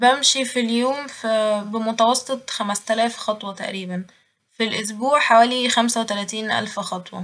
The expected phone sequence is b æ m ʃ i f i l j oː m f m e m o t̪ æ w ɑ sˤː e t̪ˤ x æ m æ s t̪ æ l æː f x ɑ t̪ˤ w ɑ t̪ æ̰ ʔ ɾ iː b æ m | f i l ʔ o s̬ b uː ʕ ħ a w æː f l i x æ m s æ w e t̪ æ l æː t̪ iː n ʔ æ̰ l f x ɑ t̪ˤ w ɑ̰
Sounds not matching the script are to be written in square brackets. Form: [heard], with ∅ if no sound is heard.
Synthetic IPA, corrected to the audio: b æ m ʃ i f i l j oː m f [b] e m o t̪ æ w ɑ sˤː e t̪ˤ x æ m æ s t̪ æ l æː f x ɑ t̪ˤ w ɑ t̪ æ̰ ʔ ɾ iː b æ [n] | f i l ʔ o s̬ b uː ʕ ħ a w æː [∅] l i x æ m s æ w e t̪ æ l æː t̪ iː n ʔ æ̰ l f x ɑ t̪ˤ w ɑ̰